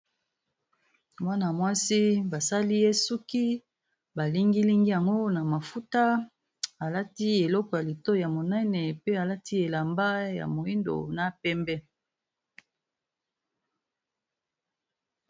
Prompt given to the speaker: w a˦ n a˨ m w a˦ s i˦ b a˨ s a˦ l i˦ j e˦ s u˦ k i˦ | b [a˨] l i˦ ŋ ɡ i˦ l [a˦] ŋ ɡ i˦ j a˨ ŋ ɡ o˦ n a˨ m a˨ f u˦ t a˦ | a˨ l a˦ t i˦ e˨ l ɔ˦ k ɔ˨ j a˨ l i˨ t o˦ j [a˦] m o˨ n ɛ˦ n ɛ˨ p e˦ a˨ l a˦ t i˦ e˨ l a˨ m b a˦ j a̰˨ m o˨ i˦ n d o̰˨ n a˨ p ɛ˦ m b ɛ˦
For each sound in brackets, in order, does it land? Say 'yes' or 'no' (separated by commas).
yes, no, no